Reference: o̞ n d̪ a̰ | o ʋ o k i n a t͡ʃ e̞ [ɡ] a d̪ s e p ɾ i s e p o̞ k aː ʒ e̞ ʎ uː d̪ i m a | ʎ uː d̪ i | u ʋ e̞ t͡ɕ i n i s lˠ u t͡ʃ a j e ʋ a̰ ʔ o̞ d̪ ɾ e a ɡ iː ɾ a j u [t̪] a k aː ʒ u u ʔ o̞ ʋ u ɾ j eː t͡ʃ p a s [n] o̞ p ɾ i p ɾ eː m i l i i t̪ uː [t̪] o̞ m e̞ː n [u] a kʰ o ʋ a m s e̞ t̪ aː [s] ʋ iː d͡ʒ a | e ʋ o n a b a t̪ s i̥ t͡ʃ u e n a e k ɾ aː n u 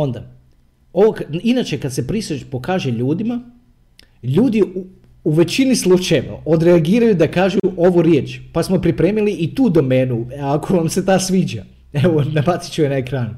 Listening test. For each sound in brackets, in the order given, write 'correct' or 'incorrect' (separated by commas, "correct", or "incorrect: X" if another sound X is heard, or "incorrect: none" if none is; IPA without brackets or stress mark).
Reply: incorrect: k, incorrect: d̪, incorrect: m, incorrect: d̪, correct, correct